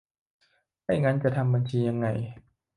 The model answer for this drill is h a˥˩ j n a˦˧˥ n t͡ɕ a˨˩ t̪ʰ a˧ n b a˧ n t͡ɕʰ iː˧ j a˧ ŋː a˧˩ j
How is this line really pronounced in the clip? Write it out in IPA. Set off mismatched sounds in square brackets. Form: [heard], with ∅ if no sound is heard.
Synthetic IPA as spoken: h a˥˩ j [ŋ] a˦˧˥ n t͡ɕ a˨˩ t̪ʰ a˧ [m] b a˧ n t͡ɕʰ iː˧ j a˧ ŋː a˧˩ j